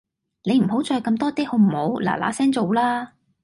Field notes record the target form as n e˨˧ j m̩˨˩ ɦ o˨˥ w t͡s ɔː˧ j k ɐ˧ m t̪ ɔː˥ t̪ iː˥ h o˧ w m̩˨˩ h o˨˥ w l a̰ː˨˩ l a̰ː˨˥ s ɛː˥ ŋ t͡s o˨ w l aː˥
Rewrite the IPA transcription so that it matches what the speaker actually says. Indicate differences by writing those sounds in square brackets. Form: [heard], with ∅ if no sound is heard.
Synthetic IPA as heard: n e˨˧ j m̩˨˩ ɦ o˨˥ w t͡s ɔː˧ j k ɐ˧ m t̪ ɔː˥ t̪ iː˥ h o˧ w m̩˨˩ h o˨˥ w l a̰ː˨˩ l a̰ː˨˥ s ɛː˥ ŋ t͡s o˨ w l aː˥

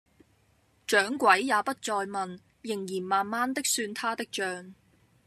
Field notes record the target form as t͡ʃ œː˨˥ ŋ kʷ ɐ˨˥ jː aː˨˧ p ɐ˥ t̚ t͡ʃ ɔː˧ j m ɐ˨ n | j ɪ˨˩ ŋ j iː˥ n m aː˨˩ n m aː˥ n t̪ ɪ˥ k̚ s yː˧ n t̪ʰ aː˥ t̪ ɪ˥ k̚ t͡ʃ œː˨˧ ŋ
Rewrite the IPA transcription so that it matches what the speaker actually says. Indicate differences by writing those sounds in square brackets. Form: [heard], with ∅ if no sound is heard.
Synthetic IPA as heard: t͡ʃ œː˨˥ ŋ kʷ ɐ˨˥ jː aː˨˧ p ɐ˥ t̚ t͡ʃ ɔː˧ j m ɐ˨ n | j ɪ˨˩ ŋ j [iː˨˩] n m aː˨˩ n m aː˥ n t̪ ɪ˥ k̚ s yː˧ n t̪ʰ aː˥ t̪ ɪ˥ k̚ t͡ʃ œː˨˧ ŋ

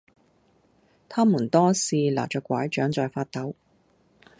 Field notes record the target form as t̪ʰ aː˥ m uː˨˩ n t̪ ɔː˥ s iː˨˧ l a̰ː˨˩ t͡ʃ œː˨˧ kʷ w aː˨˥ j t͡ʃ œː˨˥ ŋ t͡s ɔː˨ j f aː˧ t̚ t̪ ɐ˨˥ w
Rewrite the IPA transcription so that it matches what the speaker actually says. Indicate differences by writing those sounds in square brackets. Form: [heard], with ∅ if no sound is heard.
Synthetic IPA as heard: t̪ʰ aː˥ m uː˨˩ n t̪ ɔː˥ s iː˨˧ l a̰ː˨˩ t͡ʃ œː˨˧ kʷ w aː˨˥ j t͡ʃ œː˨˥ ŋ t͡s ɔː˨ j f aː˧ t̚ t̪ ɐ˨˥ w

